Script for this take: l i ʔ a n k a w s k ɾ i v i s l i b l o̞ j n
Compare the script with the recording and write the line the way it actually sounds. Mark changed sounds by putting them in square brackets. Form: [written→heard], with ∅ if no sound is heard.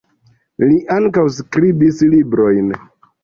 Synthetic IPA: l i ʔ a [n→ŋ] k a w s k ɾ i [v→b] i s l i b [l→ɾ] o̞ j n